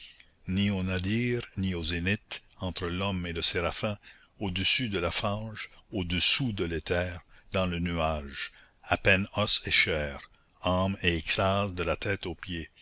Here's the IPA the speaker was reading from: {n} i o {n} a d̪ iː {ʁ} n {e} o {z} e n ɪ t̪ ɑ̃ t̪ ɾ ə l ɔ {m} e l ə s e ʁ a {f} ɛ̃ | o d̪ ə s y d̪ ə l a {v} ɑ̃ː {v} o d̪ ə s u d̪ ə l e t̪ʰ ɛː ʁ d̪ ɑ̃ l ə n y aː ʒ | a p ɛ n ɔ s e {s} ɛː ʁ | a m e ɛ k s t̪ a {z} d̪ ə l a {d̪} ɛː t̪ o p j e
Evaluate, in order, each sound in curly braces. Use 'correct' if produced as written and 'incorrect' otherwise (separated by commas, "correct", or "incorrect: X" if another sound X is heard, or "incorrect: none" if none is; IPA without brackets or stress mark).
correct, correct, correct, incorrect: i, correct, correct, correct, incorrect: f, incorrect: ʒ, incorrect: ʃ, correct, incorrect: t̪